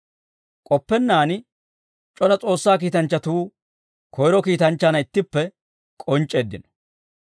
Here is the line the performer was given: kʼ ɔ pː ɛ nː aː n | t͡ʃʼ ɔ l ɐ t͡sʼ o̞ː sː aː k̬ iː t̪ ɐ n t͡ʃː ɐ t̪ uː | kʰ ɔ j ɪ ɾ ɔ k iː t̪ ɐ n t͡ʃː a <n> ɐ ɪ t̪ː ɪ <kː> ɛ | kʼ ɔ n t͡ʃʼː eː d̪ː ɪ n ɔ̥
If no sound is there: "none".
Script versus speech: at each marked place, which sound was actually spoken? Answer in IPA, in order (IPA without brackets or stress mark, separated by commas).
n, pː